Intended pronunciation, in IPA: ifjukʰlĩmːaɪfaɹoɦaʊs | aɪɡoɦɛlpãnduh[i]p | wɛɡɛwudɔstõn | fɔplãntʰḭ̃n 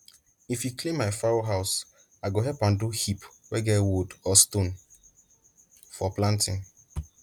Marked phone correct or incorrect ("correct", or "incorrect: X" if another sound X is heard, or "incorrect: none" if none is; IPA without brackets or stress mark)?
correct